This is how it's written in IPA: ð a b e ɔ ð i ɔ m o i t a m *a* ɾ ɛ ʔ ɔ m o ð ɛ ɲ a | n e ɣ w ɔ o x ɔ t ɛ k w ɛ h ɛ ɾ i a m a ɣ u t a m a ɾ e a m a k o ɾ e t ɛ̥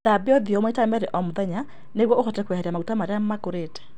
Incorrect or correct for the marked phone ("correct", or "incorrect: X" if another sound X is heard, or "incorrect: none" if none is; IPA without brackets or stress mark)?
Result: incorrect: ɛ